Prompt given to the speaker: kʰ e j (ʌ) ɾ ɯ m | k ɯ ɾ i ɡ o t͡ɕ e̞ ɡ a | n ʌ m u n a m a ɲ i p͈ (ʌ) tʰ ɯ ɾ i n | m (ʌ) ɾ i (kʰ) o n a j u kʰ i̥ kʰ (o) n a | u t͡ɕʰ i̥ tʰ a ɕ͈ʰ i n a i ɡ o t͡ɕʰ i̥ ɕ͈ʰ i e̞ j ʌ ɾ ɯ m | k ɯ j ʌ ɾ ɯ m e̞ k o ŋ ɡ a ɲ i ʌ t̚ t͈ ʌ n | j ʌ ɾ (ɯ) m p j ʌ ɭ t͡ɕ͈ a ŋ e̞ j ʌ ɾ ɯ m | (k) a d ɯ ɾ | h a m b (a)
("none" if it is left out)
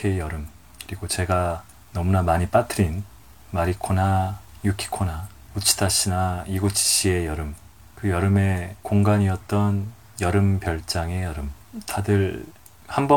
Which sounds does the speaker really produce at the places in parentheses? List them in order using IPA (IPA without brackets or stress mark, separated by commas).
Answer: ʌ, a, a, kʰ, o, ɯ, t, ʌ